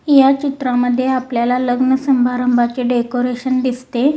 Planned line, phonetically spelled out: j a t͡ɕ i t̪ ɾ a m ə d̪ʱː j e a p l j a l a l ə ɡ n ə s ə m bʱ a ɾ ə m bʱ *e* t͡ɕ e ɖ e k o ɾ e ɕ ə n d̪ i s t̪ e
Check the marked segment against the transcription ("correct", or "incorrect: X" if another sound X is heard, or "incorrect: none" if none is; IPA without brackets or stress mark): incorrect: a